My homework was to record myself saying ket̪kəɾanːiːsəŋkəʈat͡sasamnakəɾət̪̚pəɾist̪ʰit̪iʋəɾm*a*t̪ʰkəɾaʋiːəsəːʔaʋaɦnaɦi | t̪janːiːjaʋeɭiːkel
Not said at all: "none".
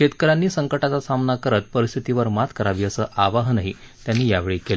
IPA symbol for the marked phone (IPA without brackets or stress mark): a